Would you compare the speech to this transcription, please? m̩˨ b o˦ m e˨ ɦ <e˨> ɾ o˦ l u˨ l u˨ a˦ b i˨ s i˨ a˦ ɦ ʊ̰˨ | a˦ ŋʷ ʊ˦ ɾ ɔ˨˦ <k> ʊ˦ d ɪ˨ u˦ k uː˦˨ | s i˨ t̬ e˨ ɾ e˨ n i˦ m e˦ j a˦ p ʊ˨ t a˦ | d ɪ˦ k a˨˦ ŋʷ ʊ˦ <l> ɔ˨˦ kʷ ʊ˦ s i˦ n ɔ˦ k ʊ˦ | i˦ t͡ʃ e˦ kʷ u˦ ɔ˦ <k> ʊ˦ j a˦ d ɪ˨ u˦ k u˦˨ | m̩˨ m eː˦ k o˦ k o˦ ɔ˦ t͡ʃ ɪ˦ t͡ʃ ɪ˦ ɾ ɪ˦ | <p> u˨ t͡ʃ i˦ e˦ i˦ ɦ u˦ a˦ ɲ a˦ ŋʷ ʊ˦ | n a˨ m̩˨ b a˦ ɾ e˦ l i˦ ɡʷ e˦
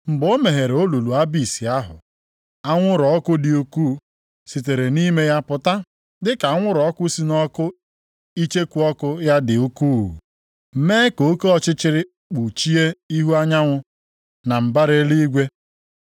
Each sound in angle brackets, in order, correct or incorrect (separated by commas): correct, correct, incorrect, correct, incorrect